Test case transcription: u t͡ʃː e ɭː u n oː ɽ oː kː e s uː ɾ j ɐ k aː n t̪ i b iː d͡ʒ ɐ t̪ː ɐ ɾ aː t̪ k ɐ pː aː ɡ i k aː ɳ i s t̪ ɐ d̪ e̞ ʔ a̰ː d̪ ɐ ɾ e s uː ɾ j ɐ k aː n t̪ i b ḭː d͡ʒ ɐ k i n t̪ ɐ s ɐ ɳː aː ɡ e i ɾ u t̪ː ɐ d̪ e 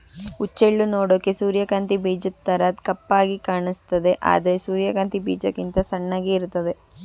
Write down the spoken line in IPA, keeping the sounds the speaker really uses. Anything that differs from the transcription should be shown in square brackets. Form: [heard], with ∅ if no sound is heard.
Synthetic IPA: u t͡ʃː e ɭː u n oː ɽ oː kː e s uː ɾ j ɐ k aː n t̪ i b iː d͡ʒ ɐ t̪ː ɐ ɾ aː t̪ k ɐ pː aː ɡ i k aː ɳ i s t̪ ɐ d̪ e̞ ʔ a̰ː d̪ ɐ ɾ e s uː ɾ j ɐ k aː n t̪ i b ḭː d͡ʒ ɐ k i n t̪ ɐ s ɐ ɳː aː ɡ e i ɾ u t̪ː ɐ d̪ e